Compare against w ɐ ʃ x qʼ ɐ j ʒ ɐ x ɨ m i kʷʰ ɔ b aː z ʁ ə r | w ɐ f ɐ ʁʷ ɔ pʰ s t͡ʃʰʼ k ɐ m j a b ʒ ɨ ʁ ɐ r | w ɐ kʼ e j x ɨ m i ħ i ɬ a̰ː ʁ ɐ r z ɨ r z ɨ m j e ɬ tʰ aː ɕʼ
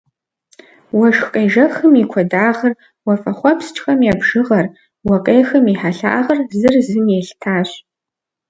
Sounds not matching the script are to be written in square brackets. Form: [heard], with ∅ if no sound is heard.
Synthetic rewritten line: w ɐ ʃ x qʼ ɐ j ʒ ɐ x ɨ m i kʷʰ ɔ [d] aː [∅] ʁ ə r | w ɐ f ɐ [χʷ] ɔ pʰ s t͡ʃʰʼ [x] ɐ m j a b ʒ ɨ ʁ ɐ r | w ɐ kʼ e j x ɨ m i ħ [a] ɬ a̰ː ʁ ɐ r z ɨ r z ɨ m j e ɬ tʰ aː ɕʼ